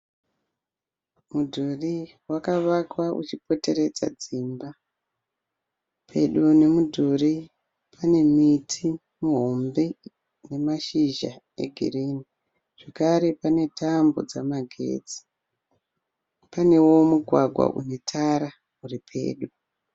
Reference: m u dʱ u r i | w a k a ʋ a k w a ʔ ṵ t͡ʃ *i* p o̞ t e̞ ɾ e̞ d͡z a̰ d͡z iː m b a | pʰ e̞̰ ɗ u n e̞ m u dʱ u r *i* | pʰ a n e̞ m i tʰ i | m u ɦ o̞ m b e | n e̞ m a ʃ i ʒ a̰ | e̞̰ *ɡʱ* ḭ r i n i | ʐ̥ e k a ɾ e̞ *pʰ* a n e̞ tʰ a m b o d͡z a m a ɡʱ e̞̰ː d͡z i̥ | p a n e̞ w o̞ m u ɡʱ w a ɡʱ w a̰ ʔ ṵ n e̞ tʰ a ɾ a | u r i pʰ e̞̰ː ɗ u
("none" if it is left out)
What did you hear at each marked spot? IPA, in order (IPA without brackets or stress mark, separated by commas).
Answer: i, i, ɡʱ, p